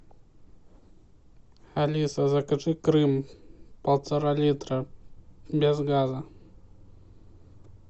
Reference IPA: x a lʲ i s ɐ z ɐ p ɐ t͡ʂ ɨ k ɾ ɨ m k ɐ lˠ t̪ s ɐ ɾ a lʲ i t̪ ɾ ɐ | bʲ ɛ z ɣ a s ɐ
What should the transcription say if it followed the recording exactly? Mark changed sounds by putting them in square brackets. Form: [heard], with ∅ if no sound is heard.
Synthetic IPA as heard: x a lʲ i s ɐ z ɐ [k] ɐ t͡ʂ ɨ k ɾ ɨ m [p] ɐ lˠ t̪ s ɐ ɾ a lʲ i t̪ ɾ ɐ | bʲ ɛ z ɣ a [z] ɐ

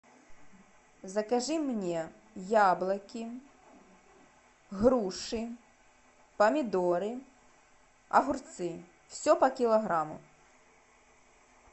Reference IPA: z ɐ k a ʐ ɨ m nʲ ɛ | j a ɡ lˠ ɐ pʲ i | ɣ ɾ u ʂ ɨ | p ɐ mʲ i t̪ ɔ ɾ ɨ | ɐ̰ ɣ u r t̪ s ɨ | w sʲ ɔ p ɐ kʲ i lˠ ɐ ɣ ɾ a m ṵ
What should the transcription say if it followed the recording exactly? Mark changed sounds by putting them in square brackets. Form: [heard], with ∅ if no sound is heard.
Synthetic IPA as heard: z ɐ k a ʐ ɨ m nʲ ɛ | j a [b] lˠ ɐ [kʲ] i | ɣ ɾ u ʂ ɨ | p ɐ mʲ i [d̪] ɔ ɾ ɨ | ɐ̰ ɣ u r t̪ s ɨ | w sʲ ɔ p ɐ kʲ i lˠ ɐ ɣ ɾ a m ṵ

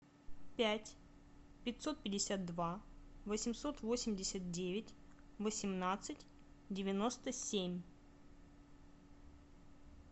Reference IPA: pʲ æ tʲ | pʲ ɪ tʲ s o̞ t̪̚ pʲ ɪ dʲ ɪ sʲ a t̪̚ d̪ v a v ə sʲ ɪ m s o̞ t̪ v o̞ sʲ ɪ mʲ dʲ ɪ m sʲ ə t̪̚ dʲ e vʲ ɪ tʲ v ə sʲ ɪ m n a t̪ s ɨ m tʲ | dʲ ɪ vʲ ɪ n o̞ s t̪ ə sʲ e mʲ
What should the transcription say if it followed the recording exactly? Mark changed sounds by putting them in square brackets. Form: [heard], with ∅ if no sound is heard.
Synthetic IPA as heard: pʲ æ tʲ | pʲ ɪ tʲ s o̞ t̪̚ pʲ ɪ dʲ ɪ sʲ a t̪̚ d̪ v a v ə sʲ ɪ m s o̞ t̪ v o̞ sʲ ɪ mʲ dʲ ɪ [∅] sʲ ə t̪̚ dʲ e vʲ ɪ tʲ v ə sʲ ɪ m n a t̪ s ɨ [∅] tʲ | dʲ ɪ vʲ ɪ n o̞ s t̪ ə sʲ e mʲ

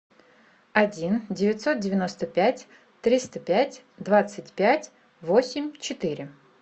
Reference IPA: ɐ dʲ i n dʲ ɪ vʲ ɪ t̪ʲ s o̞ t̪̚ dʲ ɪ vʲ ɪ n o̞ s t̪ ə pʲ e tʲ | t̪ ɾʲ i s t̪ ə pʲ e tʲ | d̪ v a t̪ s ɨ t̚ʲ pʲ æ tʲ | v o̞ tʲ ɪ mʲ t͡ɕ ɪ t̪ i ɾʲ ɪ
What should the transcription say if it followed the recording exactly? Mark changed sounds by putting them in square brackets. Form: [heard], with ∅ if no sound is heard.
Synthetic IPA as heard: ɐ dʲ i n dʲ ɪ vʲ ɪ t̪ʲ s o̞ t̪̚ dʲ ɪ vʲ ɪ n o̞ s t̪ ə pʲ [æ] tʲ | t̪ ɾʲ i s t̪ ə pʲ [æ] tʲ | d̪ v a t̪ s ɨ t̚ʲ pʲ æ tʲ | v o̞ [sʲ] ɪ mʲ t͡ɕ ɪ t̪ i ɾʲ ɪ

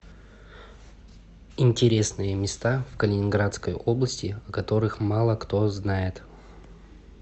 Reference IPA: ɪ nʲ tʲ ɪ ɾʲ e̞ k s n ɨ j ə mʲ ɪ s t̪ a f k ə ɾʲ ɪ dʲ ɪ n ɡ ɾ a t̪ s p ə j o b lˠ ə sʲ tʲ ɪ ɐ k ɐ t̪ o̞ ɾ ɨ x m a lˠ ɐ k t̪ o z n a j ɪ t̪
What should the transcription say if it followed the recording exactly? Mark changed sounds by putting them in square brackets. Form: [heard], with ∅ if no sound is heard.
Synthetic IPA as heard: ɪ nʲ tʲ ɪ ɾʲ e̞ [∅] s n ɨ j ə mʲ ɪ s t̪ a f k ə [lʲ] ɪ [nʲ] ɪ n ɡ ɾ a t̪ s [k] ə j o b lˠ ə sʲ tʲ ɪ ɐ k ɐ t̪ o̞ ɾ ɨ x m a lˠ [ə] k t̪ o z n a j ɪ t̪

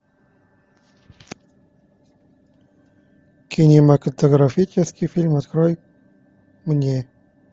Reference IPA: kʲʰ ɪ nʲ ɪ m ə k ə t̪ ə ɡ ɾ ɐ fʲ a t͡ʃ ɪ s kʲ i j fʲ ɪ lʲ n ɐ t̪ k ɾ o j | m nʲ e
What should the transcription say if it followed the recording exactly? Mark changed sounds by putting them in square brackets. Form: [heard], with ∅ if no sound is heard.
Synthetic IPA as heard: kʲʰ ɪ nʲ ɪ m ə k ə t̪ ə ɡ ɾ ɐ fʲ [i] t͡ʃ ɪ s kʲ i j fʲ [i] lʲ [m] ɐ t̪ k ɾ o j | m nʲ e

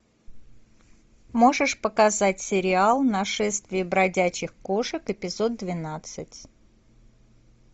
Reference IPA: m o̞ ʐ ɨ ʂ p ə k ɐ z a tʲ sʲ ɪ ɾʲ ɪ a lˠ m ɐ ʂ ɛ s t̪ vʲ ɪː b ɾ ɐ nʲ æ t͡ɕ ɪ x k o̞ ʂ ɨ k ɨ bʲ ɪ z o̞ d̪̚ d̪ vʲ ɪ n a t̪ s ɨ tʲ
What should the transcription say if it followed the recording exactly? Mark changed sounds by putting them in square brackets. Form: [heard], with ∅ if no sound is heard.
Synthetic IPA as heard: m o̞ ʐ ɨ ʂ p ə k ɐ z a tʲ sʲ ɪ ɾʲ ɪ a lˠ [n] ɐ ʂ ɛ s t̪ vʲ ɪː b ɾ ɐ [dʲ] æ t͡ɕ ɪ x k o̞ ʂ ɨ k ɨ [pʲ] ɪ z o̞ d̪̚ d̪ vʲ ɪ n a t̪ s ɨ tʲ

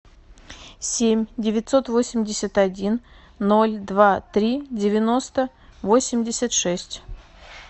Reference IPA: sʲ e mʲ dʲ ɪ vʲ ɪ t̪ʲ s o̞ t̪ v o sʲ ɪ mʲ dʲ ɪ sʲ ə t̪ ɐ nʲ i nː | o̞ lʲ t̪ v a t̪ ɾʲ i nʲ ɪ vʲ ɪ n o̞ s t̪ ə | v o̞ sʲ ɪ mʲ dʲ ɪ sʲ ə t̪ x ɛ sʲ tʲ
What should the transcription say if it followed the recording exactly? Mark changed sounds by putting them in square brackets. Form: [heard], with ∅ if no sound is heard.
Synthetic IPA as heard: sʲ e mʲ dʲ ɪ vʲ ɪ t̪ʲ s o̞ t̪ v o sʲ ɪ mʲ dʲ ɪ sʲ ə t̪ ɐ [dʲ] i nː | o̞ lʲ [d̪] v a t̪ ɾʲ i [dʲ] ɪ vʲ ɪ n o̞ s t̪ ə | v o̞ sʲ ɪ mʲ dʲ ɪ sʲ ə t̪ [ʂ] ɛ sʲ tʲ

